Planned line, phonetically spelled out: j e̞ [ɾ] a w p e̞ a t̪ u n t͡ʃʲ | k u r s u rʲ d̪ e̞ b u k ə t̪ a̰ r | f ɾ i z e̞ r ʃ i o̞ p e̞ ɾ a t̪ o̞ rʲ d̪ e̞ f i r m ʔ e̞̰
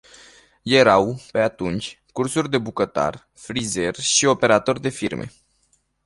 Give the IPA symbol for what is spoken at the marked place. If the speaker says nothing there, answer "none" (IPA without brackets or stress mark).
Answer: ɾ